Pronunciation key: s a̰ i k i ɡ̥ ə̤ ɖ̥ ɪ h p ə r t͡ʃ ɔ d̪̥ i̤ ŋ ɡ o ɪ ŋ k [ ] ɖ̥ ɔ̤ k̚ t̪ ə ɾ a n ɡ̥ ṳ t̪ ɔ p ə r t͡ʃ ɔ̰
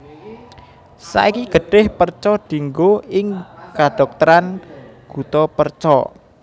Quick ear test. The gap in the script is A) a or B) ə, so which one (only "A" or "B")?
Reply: A